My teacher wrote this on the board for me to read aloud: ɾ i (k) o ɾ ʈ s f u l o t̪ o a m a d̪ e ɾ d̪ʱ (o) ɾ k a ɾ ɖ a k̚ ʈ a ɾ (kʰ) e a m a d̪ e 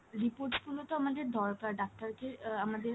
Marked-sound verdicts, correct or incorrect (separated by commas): incorrect, incorrect, incorrect